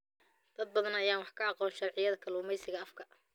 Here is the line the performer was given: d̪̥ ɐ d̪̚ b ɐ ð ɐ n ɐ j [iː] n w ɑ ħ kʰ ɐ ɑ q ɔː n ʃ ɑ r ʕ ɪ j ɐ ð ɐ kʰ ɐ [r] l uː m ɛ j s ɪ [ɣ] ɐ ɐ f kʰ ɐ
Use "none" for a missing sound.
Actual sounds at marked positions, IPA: aː, none, ɣ

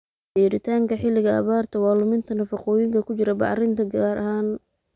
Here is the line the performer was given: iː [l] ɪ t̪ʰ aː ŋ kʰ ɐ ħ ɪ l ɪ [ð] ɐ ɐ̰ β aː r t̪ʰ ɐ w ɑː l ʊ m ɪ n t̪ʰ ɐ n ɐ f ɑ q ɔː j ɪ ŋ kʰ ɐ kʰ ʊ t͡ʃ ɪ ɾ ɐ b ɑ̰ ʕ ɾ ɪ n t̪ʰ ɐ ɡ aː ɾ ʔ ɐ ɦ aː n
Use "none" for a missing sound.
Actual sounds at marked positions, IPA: ɾ, ɣ

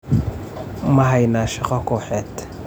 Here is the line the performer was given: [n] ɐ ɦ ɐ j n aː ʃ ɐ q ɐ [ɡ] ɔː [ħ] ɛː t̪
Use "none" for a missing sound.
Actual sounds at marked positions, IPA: m, k, ħ

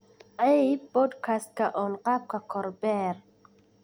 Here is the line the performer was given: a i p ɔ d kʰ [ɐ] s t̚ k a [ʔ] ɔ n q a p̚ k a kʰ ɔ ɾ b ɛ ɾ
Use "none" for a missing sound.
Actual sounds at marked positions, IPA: a, ʔ

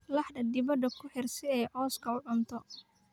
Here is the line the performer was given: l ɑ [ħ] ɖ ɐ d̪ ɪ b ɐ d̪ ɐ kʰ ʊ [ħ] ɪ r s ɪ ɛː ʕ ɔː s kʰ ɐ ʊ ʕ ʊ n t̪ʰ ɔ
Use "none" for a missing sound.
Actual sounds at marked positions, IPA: ħ, ħ

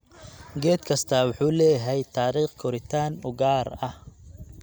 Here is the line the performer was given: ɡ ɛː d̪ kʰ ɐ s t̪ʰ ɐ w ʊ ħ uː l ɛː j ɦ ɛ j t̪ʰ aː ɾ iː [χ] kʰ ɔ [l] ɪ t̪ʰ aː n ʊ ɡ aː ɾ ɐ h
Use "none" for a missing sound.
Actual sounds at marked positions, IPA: χ, ɾ

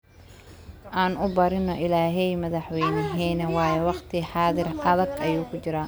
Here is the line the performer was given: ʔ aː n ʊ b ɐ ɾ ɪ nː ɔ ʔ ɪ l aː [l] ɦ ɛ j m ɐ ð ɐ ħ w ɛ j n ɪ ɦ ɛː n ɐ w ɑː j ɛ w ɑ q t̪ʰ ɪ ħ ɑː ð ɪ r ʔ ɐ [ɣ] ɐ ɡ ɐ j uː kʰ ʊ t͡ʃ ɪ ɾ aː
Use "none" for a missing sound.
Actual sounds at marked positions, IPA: none, ð

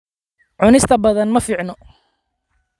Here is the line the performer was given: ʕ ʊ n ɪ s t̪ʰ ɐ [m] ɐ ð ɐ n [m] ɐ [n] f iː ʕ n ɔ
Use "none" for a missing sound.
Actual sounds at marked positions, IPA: b, m, none

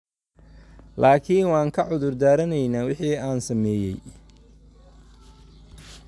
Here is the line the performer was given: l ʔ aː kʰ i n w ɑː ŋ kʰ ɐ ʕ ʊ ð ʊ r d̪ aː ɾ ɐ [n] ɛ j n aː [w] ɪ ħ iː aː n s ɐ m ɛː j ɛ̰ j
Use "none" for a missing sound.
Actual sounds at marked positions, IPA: n, w

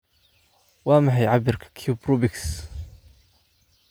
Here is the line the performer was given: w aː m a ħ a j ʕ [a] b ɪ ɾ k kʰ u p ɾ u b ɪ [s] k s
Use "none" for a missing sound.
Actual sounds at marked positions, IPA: a, none

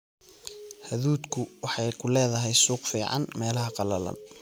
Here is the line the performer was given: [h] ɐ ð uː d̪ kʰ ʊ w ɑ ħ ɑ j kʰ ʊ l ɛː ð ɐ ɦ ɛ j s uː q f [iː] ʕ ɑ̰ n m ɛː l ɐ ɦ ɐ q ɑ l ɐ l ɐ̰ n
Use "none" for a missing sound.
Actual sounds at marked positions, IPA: h, iː

